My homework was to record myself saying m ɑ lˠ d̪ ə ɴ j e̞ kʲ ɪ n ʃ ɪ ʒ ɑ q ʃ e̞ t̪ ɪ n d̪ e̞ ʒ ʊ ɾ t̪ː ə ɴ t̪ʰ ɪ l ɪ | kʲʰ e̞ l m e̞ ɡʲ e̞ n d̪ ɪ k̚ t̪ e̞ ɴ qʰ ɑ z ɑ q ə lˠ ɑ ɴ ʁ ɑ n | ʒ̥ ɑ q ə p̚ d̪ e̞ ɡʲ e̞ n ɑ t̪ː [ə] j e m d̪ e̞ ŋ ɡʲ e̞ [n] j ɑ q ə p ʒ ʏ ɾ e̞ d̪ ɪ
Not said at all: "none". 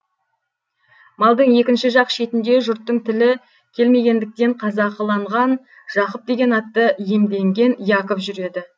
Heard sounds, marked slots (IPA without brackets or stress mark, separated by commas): ə, n